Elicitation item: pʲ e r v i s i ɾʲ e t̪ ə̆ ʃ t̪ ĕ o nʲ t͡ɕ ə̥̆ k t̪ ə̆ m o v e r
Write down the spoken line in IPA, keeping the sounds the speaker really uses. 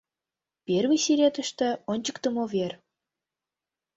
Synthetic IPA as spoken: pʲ e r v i s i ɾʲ e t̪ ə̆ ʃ t̪ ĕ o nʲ t͡ɕ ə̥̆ k t̪ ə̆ m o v e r